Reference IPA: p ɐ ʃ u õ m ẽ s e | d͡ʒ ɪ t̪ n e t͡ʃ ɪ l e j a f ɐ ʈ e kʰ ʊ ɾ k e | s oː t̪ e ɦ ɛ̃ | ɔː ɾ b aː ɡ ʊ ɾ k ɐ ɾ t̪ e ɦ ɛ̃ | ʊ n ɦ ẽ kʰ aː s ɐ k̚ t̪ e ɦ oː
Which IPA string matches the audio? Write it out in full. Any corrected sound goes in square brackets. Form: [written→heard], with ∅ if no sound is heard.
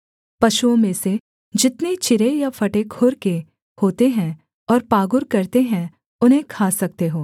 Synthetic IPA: p ɐ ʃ u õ m ẽ s e | d͡ʒ ɪ t̪ n e t͡ʃ ɪ [l→ɾ] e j a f ɐ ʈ e kʰ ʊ ɾ k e | [s→h] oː t̪ e ɦ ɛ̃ | ɔː ɾ [b→p] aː ɡ ʊ ɾ k ɐ ɾ t̪ e ɦ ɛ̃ | ʊ n ɦ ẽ kʰ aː s ɐ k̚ t̪ e ɦ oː

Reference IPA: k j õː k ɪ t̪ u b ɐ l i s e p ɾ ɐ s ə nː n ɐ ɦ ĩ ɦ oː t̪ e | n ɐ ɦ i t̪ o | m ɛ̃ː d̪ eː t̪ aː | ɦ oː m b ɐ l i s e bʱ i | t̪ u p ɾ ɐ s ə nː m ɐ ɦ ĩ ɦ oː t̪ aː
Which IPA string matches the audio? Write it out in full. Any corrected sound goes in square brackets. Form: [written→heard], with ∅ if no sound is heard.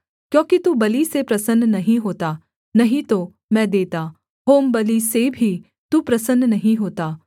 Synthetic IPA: k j õː k [ɪ→i] t̪ u b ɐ l i s e p ɾ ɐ s ə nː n ɐ ɦ ĩ ɦ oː t̪ [e→a] | n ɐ ɦ [i→ĩ] t̪ o | m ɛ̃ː d̪ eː t̪ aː | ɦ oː m b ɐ l i s e bʱ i | t̪ u p ɾ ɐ s ə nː [m→n] ɐ ɦ ĩ ɦ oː t̪ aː

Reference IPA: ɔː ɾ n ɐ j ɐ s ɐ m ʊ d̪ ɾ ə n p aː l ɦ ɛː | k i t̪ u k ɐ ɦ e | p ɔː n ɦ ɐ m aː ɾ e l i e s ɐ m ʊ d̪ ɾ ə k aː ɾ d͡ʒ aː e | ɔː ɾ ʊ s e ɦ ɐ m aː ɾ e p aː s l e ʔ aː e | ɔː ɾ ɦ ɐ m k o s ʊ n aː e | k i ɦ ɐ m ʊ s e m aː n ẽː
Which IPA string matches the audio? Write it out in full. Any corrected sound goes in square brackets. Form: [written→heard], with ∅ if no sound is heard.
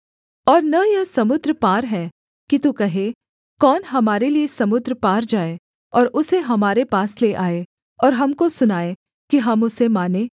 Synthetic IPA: ɔː ɾ n ɐ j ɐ s ɐ m ʊ d̪ ɾ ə [n→∅] p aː [l→ɾ] ɦ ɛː | k i t̪ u k ɐ ɦ e | [p→k] ɔː n ɦ ɐ m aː ɾ e l i e s ɐ m ʊ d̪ ɾ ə [k→p] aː ɾ d͡ʒ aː e | ɔː ɾ ʊ s e ɦ ɐ m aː ɾ e p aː s l e ʔ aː e | ɔː ɾ ɦ ɐ m k o s ʊ n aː e | k i ɦ ɐ m ʊ s e m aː n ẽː

